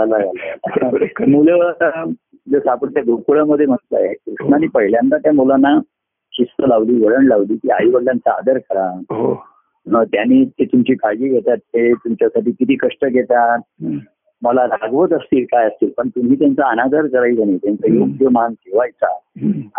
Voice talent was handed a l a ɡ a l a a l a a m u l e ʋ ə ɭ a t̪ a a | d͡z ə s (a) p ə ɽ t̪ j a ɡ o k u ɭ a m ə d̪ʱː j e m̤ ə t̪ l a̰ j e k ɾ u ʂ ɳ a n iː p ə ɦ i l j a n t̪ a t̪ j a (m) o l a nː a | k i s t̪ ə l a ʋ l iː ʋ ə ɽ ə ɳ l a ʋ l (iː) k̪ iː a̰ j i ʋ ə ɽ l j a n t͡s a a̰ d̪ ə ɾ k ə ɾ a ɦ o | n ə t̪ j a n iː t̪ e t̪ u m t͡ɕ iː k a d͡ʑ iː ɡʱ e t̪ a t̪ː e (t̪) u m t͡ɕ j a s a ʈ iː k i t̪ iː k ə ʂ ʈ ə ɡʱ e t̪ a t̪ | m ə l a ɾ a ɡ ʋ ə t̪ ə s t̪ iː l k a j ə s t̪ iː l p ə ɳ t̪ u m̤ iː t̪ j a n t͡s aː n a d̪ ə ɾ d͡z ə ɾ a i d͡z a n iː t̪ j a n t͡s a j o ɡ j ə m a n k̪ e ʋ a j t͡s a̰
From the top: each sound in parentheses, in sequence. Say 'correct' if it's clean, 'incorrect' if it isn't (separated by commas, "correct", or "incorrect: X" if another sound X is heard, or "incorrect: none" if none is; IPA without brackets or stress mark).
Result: correct, correct, correct, correct